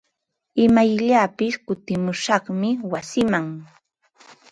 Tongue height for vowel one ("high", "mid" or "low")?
high